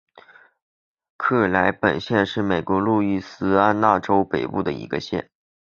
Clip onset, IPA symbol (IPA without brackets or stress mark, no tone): kʰ